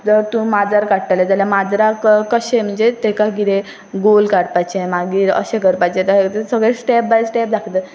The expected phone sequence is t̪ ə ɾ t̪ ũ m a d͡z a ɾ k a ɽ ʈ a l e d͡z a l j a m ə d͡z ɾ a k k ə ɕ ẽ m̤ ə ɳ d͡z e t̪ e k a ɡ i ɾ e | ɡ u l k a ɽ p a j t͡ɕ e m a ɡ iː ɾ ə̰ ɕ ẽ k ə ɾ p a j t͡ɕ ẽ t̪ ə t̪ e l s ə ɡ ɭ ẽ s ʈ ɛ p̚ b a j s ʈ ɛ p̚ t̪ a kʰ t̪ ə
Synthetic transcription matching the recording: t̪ ə ɾ t̪ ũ m a d͡z a ɾ k a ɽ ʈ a l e d͡z a l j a m a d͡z ɾ a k k ə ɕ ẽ m̤ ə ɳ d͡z e t̪ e k a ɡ i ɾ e | ɡ o l k a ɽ p a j t͡ɕ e m a ɡ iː ɾ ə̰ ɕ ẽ k ə ɾ p a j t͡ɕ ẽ t̪ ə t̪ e s ə ɡ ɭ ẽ s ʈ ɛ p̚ b a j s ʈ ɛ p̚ d̪ a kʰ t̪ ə

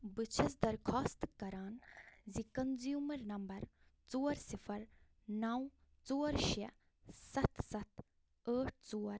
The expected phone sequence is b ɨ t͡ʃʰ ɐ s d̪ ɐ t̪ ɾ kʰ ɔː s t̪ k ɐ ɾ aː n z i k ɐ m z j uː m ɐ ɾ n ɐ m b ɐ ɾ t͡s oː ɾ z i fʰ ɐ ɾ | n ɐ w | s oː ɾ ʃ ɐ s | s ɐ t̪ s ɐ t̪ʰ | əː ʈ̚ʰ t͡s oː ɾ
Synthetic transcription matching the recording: b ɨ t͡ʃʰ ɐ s d̪ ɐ ɾ kʰ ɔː s t̪ k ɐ ɾ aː n z i k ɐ n z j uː m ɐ ɾ n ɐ m b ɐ ɾ t͡s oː ɾ s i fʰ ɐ ɾ | n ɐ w | t͡s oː ɾ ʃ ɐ | s ɐ t̪ s ɐ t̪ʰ | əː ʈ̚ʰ t͡s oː ɾ

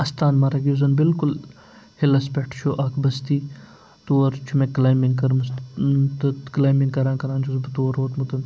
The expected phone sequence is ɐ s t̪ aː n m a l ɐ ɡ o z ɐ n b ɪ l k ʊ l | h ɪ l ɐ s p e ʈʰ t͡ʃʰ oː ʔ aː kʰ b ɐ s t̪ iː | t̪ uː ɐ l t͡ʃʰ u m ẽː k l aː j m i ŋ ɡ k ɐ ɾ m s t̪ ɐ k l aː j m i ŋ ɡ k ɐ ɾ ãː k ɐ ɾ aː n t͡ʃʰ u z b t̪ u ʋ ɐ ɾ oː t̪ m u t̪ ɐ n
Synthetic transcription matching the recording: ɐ s t̪ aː n m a ɾ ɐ ɡ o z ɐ n b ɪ l k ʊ l | h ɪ l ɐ s p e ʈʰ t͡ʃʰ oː ʔ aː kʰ b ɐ s t̪ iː | t̪ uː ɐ ɾ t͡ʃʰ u m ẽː k l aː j m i ŋ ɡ k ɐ ɾ m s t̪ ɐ k l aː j m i ŋ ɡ k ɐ ɾ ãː k ɐ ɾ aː n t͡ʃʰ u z b t̪ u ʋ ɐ ɾ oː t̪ m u t̪ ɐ n

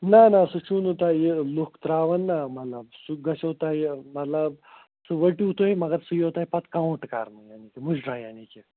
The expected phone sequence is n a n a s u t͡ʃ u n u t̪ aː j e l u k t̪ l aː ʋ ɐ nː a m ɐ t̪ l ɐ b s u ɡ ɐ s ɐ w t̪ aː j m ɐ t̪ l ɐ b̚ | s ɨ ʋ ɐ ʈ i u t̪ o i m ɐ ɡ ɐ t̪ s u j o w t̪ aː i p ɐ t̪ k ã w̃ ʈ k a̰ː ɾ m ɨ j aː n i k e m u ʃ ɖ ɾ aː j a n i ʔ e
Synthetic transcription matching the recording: n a n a s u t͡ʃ u n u t̪ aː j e l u k t̪ ɾ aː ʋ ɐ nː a m ɐ t̪ l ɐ b s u ɡ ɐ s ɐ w t̪ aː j m ɐ t̪ l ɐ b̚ | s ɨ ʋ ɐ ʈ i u t̪ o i m ɐ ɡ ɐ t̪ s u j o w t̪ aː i p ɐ t̪ k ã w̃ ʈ k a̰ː ɾ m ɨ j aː n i k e m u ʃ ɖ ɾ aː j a n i k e

